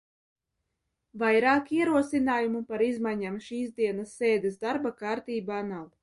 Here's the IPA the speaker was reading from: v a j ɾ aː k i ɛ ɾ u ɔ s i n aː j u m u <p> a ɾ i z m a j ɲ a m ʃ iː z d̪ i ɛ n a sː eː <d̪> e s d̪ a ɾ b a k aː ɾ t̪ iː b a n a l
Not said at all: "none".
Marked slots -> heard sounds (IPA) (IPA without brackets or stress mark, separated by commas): p, d̪